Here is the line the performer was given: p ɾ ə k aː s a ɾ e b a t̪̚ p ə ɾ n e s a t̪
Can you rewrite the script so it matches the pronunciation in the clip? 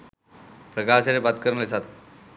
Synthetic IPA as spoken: p ɾ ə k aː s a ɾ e b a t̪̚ k ə ɾ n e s a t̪